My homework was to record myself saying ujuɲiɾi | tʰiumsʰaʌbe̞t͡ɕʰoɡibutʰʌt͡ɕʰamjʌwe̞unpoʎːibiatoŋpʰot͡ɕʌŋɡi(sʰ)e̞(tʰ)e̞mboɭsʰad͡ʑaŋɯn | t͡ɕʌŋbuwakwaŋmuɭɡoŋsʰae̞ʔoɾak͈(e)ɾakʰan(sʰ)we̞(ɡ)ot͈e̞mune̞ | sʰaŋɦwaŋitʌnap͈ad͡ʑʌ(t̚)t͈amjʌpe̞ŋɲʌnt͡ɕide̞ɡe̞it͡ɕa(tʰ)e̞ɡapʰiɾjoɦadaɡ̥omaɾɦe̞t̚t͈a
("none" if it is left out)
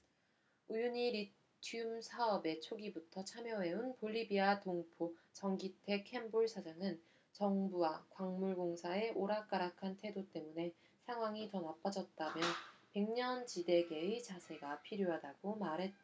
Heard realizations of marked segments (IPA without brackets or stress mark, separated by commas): tʰ, kʰ, a, tʰ, d, t̚, sʰ